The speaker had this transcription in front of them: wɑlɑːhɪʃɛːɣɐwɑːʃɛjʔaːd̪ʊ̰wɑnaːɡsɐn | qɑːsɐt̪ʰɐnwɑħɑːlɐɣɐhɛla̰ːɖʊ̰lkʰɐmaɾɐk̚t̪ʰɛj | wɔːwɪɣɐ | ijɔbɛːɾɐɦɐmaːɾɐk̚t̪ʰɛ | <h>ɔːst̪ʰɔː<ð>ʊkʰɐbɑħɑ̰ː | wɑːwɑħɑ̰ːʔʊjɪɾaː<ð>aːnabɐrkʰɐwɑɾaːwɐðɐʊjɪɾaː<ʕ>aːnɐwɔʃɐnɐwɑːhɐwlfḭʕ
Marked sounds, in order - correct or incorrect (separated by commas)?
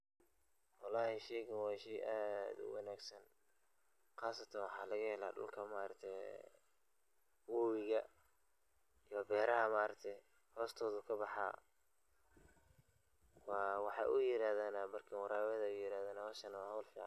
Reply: correct, correct, correct, incorrect